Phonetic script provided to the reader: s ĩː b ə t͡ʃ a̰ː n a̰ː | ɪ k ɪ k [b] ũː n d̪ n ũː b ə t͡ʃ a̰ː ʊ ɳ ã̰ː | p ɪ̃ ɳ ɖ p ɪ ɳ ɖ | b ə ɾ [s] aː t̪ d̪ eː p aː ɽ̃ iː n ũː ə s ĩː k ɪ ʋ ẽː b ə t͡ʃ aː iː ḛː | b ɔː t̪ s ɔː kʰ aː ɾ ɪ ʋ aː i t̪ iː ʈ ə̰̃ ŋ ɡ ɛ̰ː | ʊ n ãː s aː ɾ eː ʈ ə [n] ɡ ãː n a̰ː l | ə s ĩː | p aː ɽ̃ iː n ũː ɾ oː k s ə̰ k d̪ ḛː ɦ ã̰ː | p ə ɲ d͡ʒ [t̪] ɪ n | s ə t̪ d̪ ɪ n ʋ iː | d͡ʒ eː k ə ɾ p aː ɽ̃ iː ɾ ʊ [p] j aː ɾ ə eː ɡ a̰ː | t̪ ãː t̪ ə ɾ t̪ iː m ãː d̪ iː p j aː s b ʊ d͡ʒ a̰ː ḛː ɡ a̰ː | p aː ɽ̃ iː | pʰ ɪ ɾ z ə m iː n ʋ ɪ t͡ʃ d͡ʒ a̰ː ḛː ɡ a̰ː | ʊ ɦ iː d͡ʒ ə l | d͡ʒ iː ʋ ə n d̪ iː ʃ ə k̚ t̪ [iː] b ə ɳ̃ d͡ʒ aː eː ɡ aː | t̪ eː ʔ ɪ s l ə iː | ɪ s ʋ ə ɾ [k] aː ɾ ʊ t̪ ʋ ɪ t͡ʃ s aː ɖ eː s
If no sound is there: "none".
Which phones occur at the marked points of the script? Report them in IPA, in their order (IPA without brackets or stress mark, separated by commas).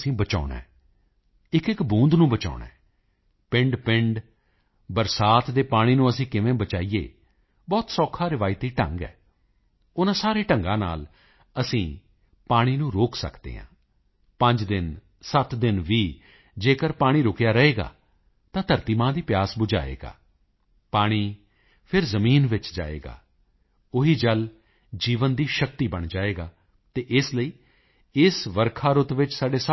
b, s, ŋ, d̪, k, iː, kʰ